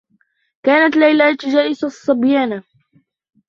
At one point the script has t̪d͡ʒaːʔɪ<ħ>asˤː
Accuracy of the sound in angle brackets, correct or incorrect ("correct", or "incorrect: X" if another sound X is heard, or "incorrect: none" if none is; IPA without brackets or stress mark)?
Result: incorrect: s